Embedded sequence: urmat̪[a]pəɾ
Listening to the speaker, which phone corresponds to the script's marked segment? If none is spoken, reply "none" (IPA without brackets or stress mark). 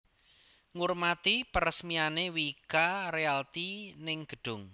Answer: i